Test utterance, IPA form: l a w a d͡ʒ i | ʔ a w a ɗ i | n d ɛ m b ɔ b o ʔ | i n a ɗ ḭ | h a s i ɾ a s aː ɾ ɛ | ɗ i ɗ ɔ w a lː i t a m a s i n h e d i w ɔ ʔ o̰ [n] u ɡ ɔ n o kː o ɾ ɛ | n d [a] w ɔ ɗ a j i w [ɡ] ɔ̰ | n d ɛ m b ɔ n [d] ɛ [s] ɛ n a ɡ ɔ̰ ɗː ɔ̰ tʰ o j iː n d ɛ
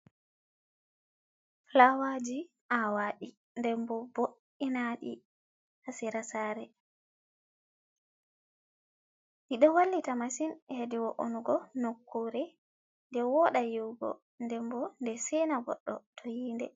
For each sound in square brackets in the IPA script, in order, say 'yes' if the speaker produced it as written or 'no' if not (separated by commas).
yes, no, yes, yes, yes